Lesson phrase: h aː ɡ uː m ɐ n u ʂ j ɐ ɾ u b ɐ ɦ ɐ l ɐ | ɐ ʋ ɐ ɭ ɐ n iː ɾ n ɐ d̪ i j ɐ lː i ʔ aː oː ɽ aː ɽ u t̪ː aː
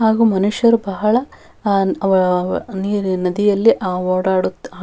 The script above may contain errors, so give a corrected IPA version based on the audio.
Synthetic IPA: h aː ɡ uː m ɐ n u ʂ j ɐ ɾ u b ɐ ɦ ɐ ɭ ɐ | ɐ ʋ ɐ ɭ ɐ n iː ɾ n ɐ d̪ i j ɐ lː i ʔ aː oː ɽ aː ɽ u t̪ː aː